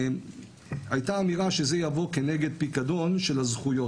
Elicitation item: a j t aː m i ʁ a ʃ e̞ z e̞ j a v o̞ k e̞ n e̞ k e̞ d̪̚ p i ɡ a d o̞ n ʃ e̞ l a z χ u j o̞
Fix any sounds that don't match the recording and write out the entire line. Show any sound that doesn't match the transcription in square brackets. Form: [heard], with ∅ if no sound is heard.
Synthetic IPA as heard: a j t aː m i ʁ a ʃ e̞ z e̞ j a v o̞ k e̞ n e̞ [ɡ] e̞ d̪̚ p i [k] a d o̞ n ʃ e̞ l a z χ u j o̞